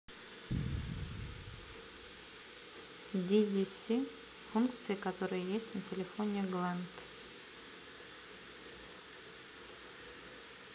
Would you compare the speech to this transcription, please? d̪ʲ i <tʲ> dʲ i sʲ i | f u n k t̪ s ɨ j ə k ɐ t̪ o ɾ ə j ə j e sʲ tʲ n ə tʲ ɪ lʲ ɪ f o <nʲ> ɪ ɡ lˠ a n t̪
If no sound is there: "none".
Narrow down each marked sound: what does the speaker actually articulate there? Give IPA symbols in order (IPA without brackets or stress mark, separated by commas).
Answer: none, nʲ